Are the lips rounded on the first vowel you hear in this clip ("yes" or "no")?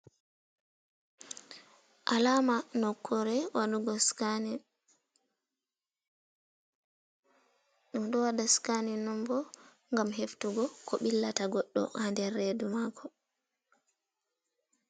no